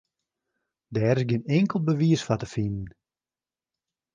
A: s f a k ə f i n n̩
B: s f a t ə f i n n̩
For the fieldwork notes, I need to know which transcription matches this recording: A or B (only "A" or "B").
B